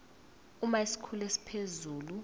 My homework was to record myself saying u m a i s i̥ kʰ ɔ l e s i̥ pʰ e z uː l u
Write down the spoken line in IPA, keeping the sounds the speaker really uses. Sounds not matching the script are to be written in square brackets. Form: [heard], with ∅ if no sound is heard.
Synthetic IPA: u m a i s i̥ kʰ [u] l e s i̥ pʰ e z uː l u